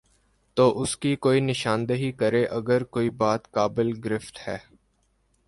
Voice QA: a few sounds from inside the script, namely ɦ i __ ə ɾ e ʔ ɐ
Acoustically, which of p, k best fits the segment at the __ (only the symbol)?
k